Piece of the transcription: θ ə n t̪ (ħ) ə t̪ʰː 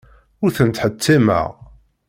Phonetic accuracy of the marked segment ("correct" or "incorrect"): correct